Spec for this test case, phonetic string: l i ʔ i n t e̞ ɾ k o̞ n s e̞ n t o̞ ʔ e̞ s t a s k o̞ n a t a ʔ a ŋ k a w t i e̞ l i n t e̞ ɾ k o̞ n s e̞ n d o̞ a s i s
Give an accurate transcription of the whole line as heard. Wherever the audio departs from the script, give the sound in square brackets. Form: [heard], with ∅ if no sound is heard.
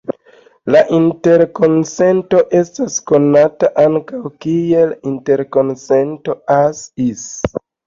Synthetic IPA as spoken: l [a] ʔ i n t e̞ ɾ k o̞ n s e̞ n t o̞ ʔ e̞ s t a s k o̞ n a t a ʔ a ŋ k a w [k] i e̞ l i n t e̞ ɾ k o̞ n s e̞ n [t] o̞ a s i s